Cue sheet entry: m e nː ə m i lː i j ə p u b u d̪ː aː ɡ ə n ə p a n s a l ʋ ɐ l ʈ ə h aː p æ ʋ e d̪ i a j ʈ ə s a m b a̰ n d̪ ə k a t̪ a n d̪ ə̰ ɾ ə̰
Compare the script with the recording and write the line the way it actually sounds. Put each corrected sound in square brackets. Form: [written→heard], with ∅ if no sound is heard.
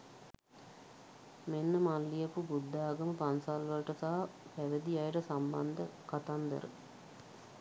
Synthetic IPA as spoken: m e nː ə m [i→a] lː i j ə p u b u d̪ː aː ɡ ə [n→m] ə p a n s a l ʋ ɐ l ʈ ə [h→s] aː p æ ʋ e d̪ i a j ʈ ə s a m b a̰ n d̪ ə k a t̪ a n d̪ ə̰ ɾ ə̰